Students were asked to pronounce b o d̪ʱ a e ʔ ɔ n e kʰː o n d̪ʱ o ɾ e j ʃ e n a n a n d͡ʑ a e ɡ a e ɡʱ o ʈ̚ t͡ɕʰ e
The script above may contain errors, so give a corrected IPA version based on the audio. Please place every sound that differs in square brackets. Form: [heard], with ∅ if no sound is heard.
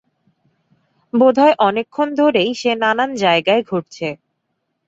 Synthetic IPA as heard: b o d̪ʱ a e ʔ ɔ n e kʰː o n d̪ʱ o ɾ e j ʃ e n a n a n d͡ʑ a e ɡ a e ɡʱ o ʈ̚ t͡ɕʰ e

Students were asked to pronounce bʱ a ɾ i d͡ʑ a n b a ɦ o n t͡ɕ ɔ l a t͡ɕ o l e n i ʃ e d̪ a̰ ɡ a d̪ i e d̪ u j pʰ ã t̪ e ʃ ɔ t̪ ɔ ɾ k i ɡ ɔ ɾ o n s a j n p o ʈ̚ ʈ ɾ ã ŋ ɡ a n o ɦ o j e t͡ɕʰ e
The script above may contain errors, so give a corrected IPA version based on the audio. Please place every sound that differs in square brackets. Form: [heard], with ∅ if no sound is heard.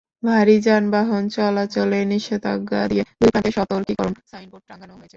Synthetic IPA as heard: bʱ a ɾ i d͡ʑ a n b a ɦ o n t͡ɕ ɔ l a t͡ɕ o l e n i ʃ e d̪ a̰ ɡ a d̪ i e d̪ u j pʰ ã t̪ e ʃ ɔ t̪ [o] ɾ k i [k] ɔ ɾ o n s a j n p o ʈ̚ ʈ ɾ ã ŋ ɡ a n o ɦ o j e t͡ɕʰ e

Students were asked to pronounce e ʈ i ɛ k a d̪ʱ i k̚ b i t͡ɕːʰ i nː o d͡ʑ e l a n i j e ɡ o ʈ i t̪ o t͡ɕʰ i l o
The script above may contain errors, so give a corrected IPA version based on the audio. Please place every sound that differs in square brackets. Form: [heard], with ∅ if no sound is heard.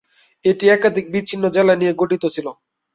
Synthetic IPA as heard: e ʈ i ɛ k a d̪ʱ i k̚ b i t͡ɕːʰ i nː o d͡ʑ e l a n i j e ɡ o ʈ i t̪ o t͡ɕʰ i l o

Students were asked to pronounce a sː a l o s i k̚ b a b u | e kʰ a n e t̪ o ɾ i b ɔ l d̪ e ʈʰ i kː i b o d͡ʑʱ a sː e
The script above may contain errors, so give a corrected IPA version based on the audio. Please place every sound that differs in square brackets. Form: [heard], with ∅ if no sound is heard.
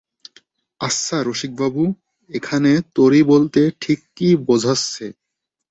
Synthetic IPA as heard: a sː a [ɾ] o [ʃ] i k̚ b a b u | e kʰ a n e t̪ o ɾ i b [o] l [t̪] e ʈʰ i kː i b o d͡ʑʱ a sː e

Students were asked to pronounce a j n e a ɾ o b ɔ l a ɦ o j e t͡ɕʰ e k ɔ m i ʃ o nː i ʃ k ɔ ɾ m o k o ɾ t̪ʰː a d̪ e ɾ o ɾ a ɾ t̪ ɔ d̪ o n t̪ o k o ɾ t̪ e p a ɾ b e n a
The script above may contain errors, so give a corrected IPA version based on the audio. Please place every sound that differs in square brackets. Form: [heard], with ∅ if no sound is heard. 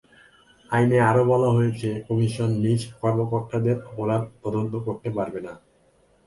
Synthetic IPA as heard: a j n e a ɾ o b ɔ l a ɦ o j e t͡ɕʰ e k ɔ m i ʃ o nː i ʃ k ɔ ɾ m o k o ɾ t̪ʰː a d̪ e ɾ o ɾ a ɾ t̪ ɔ d̪ o n t̪ o k o ɾ t̪ e p a ɾ b e n a

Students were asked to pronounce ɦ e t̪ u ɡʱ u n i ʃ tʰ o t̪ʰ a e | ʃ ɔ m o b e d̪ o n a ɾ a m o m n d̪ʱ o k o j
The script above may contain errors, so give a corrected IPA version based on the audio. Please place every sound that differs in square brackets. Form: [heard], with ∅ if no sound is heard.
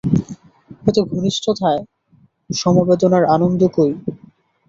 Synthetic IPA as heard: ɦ e t̪ [o] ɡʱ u n i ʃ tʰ o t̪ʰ a e | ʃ ɔ m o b e d̪ o n a ɾ a [n] o [∅] n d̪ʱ o k o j

